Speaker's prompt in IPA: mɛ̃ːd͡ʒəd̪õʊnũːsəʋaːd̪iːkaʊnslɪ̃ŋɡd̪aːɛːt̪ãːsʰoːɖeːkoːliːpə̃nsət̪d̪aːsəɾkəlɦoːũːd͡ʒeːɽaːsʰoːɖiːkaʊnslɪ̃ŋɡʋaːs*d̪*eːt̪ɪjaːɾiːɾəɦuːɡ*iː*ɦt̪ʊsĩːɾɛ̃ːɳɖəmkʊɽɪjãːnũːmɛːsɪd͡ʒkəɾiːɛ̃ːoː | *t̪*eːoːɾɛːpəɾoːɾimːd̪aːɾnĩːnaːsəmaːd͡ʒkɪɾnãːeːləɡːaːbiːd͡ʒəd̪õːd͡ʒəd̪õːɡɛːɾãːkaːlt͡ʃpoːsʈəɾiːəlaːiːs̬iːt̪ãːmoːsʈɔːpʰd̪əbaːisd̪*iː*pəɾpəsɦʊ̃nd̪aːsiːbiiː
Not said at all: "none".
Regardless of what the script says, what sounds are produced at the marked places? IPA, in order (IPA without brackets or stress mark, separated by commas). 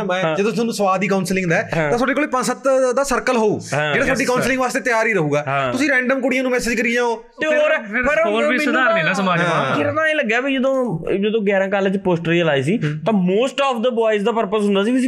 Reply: t̪, aː, t̪, aː